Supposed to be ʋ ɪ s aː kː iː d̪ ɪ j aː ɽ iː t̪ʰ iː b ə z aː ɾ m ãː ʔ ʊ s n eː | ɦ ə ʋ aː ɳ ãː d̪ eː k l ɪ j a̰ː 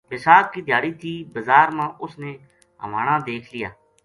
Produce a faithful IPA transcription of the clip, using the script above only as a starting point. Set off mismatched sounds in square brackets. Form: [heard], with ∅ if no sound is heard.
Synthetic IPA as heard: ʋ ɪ s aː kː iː d̪ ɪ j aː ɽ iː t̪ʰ iː b ə z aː ɾ m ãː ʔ ʊ s n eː | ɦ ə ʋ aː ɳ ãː d̪ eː [kʰ] l ɪ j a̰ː

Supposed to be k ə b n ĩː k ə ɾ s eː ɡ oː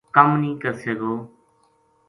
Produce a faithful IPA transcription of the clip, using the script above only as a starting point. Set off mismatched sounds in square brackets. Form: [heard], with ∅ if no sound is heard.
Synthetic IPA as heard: k ə [m] n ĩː k ə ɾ s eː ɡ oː

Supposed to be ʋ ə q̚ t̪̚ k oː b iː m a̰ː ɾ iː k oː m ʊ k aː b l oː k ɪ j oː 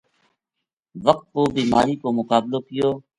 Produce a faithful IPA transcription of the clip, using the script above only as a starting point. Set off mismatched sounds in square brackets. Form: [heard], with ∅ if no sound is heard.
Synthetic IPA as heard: ʋ ə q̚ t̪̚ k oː b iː m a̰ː ɾ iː k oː m ʊ k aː b l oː k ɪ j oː

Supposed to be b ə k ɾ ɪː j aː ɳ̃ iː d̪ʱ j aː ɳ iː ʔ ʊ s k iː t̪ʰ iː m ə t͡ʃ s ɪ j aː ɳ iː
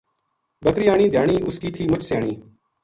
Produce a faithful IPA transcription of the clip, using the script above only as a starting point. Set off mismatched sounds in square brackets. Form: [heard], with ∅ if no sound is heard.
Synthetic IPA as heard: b ə k ɾ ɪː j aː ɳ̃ iː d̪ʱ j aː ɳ iː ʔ ʊ s k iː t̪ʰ iː m ə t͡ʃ s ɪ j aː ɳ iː

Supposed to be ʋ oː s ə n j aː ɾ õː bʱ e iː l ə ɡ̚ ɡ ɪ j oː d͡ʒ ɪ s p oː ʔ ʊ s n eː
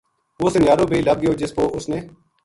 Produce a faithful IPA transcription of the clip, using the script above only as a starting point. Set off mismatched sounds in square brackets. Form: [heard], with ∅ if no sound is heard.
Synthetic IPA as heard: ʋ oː s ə n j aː ɾ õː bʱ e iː l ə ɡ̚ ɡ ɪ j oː d͡ʒ ɪ s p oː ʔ ʊ s n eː

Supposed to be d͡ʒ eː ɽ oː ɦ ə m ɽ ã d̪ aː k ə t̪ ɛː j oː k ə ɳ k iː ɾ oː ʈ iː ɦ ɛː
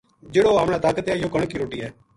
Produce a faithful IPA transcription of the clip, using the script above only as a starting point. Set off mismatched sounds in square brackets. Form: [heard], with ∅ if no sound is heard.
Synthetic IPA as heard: d͡ʒ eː ɽ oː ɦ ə m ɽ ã [t̪] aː k ə t̪ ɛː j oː k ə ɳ k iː ɾ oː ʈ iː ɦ ɛː

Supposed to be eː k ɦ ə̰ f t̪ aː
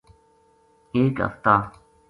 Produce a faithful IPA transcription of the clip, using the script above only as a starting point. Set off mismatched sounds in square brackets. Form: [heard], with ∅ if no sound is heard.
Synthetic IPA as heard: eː k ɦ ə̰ f t̪ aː

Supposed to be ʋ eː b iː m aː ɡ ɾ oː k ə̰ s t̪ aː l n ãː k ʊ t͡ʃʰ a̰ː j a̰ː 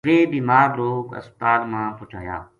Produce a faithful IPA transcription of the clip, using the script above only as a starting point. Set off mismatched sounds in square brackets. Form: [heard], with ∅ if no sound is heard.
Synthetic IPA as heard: ʋ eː b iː m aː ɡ ɾ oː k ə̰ s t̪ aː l [m] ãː [p] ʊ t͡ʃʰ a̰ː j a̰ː

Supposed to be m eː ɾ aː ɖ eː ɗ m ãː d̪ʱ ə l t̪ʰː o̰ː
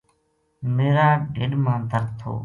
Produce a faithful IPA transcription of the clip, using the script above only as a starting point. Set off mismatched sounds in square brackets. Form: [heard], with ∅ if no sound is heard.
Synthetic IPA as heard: m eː ɾ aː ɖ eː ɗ m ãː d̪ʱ ə [ɾ] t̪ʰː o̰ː

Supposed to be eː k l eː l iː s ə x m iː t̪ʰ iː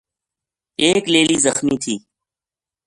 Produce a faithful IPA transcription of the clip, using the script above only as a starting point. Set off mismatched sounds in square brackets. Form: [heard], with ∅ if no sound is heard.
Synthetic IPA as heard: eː k l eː l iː [z] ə x m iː t̪ʰ iː

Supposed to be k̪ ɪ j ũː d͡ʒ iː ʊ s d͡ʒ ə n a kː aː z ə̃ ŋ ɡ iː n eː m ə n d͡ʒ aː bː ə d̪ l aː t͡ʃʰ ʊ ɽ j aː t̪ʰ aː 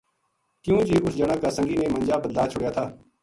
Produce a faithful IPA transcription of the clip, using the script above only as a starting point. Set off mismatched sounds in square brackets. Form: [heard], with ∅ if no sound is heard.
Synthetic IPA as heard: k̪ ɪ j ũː d͡ʒ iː ʊ s d͡ʒ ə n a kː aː [s] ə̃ ŋ ɡ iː n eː m ə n d͡ʒ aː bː ə d̪ l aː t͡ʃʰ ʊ ɽ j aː t̪ʰ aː

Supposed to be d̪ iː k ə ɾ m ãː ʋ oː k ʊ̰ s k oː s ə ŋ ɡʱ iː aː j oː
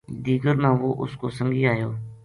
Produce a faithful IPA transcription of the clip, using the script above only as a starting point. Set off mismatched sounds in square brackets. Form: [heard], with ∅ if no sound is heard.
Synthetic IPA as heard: d̪ iː [ɡ] ə ɾ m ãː ʋ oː [ʔ] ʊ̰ s k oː s ə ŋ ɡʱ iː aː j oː

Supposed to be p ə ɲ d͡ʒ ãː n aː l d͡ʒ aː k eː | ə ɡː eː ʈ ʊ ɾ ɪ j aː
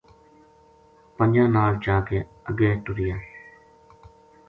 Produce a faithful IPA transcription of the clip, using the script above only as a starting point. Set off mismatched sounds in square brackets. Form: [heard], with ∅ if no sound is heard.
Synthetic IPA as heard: p ə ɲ d͡ʒ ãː n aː l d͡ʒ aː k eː | ə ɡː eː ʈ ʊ ɾ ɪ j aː

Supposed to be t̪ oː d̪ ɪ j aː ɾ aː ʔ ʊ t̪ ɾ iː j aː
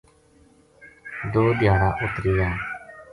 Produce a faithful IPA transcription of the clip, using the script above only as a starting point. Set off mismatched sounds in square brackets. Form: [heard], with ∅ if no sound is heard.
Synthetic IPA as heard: [d̪] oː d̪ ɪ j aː ɾ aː ʔ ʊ t̪ ɾ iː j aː

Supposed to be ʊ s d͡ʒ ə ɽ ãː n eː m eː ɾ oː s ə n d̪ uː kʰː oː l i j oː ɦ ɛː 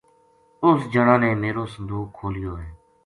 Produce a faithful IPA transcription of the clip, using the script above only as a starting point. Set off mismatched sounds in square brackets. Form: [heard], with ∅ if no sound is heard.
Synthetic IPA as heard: ʊ s d͡ʒ ə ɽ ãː n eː m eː ɾ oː s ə n d̪ uː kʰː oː l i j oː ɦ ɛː

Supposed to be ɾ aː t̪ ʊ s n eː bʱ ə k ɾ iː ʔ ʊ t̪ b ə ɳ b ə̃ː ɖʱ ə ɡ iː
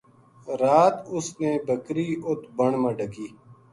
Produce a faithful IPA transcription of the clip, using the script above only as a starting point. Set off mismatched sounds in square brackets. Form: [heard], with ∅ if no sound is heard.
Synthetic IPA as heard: ɾ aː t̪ ʊ s n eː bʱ ə k ɾ iː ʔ ʊ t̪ b ə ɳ [m] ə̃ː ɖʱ ə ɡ iː

